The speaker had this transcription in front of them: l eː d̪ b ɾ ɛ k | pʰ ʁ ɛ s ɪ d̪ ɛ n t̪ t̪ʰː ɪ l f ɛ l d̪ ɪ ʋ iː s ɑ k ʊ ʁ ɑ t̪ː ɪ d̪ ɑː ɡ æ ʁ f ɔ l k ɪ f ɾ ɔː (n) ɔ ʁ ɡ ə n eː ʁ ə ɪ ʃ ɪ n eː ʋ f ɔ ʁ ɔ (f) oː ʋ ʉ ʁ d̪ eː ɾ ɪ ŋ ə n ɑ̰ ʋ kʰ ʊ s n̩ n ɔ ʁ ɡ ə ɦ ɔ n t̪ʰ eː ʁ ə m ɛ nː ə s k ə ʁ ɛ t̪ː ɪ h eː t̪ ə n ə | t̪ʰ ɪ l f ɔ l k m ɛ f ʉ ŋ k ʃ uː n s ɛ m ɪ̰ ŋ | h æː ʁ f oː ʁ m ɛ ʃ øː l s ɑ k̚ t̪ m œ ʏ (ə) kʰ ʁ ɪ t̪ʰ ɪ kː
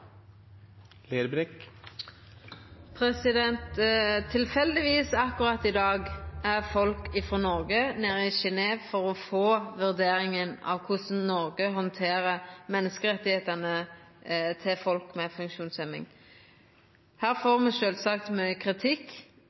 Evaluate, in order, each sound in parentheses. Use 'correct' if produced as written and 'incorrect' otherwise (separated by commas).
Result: correct, correct, correct